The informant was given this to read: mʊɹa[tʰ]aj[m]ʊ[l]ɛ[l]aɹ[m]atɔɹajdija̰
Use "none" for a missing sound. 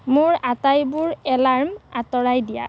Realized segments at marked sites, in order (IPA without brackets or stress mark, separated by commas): t, b, ɹ, l, m